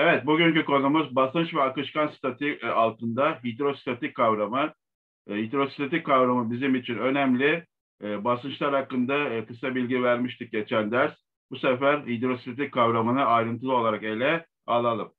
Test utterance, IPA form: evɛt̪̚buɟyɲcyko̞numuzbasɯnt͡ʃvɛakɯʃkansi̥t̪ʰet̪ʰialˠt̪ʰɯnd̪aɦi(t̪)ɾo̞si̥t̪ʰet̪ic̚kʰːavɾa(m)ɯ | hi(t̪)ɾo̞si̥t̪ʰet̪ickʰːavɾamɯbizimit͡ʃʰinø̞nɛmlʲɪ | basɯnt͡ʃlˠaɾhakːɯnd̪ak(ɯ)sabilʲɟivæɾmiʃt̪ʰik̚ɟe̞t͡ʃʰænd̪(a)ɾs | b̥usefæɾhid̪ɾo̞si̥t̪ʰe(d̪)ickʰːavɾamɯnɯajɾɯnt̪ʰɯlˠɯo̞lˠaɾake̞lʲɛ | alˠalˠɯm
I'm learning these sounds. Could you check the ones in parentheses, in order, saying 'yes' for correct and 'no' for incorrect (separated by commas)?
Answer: no, yes, no, yes, no, no